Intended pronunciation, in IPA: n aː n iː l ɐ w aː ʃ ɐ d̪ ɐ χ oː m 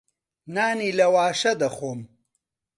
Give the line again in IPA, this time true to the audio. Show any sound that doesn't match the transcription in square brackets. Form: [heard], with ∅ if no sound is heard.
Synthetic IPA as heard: n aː n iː l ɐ w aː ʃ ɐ d̪ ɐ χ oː m